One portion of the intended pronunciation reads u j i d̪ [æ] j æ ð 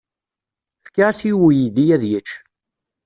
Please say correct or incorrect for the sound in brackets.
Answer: incorrect